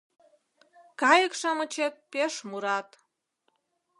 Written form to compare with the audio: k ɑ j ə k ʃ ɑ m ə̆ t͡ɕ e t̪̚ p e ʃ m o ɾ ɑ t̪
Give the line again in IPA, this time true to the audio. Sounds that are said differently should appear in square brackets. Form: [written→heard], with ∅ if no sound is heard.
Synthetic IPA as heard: k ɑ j ə k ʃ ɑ m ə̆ t͡ɕ e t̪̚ p e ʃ m [o→u] ɾ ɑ t̪